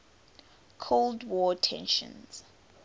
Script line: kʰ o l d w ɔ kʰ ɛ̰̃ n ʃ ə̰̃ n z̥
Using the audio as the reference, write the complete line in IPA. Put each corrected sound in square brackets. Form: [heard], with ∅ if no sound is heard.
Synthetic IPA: kʰ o l d w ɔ [tʰ] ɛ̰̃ n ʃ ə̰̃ n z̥